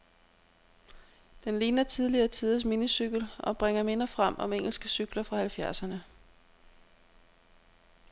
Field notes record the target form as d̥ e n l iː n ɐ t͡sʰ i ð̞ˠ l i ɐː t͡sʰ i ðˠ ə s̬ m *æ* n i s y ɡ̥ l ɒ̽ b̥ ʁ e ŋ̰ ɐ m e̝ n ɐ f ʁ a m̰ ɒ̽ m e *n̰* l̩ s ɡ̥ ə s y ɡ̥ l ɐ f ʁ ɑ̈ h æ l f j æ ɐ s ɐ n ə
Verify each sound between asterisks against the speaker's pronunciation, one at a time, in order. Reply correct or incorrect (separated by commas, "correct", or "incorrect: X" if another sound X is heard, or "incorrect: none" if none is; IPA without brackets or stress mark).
incorrect: i, incorrect: ŋ̰